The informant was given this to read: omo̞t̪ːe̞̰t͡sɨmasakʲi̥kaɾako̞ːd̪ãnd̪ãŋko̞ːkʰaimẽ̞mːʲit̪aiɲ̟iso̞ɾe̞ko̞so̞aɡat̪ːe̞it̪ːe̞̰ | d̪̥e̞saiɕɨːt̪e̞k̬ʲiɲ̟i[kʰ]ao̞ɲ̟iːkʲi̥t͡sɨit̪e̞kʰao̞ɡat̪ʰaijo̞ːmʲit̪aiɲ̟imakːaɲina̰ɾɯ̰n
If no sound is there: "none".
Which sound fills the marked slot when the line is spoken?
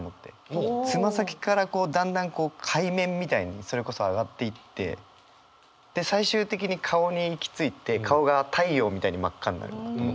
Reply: kʰ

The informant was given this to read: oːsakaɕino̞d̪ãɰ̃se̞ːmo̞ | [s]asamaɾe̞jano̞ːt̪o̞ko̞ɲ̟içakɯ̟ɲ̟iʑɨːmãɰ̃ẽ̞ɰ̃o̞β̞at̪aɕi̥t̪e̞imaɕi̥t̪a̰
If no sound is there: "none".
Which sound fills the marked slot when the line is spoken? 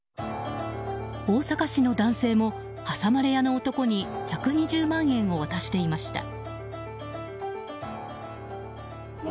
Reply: h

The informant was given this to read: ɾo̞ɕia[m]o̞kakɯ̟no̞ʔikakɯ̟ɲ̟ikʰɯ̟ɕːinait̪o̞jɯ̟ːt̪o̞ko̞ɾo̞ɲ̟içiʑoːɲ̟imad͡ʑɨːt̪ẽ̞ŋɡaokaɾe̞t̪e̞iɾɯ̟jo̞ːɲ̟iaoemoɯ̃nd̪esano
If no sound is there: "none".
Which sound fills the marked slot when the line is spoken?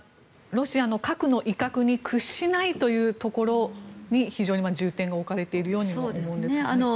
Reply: n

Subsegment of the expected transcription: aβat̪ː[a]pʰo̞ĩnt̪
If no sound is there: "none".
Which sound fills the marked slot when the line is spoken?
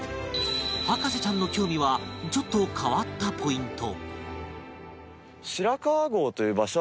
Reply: a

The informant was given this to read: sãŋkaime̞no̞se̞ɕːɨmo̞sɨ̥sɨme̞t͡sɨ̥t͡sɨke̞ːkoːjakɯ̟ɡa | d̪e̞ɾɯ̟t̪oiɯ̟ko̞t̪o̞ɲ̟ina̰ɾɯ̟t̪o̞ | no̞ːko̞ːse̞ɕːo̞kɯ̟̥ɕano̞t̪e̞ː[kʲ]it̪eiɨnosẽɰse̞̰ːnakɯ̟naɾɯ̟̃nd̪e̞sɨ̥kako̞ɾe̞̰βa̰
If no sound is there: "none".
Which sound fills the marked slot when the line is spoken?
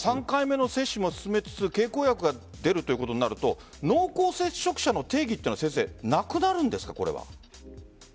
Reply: ɡʲ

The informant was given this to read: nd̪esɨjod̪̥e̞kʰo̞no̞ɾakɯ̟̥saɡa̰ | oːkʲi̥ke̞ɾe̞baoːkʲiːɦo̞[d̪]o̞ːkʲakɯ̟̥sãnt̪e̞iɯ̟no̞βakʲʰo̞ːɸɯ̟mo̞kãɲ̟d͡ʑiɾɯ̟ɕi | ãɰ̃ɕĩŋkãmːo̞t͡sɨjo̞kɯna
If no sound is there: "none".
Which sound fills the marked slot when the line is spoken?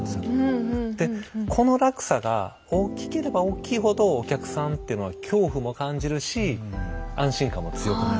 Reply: d̪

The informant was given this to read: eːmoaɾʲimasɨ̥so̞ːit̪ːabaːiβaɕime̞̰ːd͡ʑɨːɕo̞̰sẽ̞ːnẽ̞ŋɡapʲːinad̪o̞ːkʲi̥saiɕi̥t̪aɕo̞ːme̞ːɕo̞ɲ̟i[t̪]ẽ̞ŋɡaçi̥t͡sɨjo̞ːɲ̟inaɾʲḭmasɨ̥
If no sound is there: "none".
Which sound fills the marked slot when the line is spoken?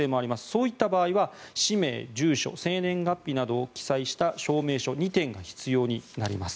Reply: t̪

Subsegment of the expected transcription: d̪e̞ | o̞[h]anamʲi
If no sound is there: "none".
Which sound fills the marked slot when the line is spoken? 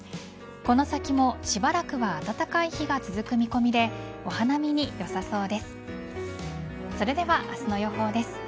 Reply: h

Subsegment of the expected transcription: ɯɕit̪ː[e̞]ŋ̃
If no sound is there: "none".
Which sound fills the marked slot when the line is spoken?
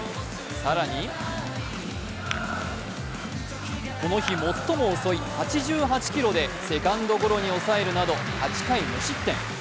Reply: ẽ̞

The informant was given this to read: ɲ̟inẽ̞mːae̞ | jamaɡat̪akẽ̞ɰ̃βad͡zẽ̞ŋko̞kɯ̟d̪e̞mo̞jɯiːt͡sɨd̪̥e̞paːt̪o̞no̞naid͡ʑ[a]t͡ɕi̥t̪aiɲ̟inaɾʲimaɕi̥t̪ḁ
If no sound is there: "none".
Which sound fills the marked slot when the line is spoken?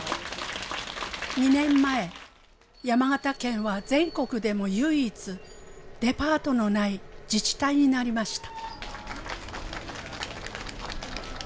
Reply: i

